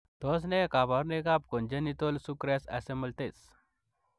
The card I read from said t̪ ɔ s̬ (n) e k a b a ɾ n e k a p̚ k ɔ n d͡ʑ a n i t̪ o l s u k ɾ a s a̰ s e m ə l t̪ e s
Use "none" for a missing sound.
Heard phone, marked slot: n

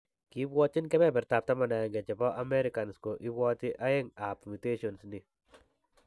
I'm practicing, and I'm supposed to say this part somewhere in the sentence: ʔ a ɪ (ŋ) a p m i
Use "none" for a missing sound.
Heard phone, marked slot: ŋ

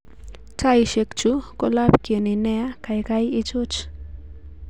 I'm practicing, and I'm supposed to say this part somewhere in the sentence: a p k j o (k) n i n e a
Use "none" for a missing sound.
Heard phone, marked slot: none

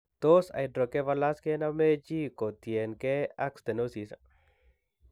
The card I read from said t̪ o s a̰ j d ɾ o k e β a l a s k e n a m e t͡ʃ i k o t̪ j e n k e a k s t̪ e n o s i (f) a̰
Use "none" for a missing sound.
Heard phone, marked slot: s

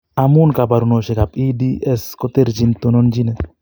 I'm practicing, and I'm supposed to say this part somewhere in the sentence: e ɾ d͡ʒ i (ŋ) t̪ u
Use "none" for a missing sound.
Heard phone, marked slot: n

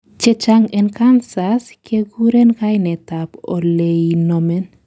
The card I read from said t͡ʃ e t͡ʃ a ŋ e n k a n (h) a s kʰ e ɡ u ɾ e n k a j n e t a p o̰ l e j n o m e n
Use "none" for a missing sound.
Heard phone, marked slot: s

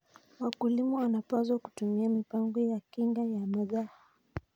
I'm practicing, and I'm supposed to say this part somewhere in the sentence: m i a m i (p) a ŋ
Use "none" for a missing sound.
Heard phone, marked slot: p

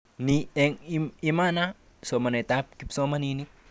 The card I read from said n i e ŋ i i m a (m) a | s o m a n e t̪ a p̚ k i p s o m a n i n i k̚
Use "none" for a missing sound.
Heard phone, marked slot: n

